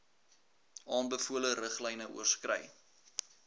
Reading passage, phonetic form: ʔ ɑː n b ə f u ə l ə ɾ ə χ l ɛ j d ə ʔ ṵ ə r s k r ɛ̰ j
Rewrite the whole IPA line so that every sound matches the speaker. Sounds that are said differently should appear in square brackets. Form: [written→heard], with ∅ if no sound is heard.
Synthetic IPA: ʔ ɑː n b ə f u ə l ə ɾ ə χ l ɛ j [d→n] ə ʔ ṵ ə r s k r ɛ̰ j